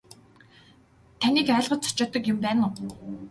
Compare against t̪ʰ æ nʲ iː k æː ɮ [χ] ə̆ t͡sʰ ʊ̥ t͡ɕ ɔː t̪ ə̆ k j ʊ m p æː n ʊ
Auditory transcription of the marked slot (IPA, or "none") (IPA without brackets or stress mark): ʁ